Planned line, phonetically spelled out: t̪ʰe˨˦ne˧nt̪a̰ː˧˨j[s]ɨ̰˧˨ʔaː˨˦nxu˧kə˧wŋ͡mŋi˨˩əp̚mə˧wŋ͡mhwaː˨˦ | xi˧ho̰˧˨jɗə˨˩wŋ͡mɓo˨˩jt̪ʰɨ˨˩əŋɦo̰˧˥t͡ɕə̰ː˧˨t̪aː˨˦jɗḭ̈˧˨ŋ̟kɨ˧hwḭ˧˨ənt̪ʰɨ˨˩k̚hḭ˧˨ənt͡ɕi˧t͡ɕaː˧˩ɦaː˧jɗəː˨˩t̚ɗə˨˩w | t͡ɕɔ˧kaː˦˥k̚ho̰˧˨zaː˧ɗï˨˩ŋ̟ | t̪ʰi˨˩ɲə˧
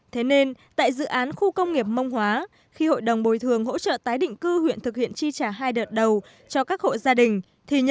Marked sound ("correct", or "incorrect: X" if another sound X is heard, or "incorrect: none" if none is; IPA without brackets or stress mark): incorrect: z